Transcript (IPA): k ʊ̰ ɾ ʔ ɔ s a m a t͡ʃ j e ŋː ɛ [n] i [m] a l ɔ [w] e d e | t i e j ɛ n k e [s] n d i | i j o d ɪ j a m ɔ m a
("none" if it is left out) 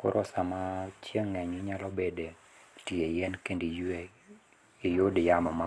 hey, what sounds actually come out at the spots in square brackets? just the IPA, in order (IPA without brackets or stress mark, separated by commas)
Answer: ɲ, ɲ, b, none